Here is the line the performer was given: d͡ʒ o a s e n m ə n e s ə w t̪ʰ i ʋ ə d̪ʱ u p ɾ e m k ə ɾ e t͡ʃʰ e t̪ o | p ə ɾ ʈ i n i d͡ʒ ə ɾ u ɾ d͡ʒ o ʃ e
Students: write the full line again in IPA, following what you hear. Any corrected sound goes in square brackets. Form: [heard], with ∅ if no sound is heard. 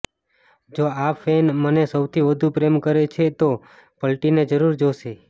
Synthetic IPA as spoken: d͡ʒ o a [f] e n m ə n e s ə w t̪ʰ i ʋ ə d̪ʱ u p ɾ e m k ə ɾ e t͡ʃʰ e t̪ o | p ə [l] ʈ i n [e] d͡ʒ ə ɾ u ɾ d͡ʒ o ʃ e